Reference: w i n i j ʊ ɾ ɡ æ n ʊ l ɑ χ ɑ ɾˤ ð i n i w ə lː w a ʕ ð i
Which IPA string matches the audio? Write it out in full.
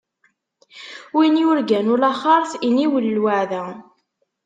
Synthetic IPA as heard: w i n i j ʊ ɾ ɡ æ n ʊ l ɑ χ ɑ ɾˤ θ i n i w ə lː w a ʕ ð æ